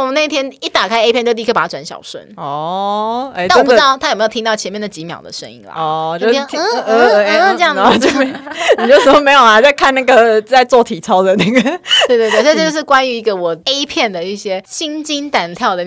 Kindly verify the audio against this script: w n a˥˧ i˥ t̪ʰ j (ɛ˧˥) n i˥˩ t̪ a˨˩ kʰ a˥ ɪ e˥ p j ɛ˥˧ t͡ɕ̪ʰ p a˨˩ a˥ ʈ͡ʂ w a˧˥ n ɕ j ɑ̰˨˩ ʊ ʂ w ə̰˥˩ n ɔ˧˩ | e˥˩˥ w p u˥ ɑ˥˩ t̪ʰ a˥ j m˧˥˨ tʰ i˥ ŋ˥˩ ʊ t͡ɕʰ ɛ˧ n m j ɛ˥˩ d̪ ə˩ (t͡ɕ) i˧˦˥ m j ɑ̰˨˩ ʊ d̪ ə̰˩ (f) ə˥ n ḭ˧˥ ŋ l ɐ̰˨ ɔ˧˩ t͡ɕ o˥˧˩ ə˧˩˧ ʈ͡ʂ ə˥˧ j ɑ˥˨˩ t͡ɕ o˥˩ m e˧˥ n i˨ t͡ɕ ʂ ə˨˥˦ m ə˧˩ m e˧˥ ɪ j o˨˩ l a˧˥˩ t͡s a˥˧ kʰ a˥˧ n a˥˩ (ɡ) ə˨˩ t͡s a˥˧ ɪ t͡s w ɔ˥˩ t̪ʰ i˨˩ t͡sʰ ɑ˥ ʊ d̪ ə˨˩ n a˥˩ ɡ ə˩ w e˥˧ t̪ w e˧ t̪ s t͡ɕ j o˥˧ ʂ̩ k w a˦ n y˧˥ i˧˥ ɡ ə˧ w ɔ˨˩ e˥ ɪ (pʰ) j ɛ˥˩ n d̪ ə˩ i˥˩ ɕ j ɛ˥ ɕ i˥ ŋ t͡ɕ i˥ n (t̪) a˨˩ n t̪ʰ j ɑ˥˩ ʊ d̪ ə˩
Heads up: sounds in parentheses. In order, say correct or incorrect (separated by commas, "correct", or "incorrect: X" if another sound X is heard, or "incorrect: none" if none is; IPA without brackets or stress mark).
incorrect: ɛ˥, correct, incorrect: ʂ, correct, correct, correct